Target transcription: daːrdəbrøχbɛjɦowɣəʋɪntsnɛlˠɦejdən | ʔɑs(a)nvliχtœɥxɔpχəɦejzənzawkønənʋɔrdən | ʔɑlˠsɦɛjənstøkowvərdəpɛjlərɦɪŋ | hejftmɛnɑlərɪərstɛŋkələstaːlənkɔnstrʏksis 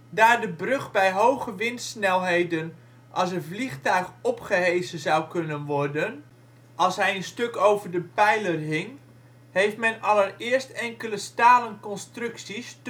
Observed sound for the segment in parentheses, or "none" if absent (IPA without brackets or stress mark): ə